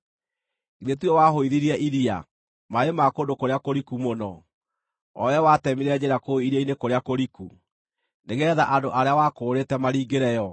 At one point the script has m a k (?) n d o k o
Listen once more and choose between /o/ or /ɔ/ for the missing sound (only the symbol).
o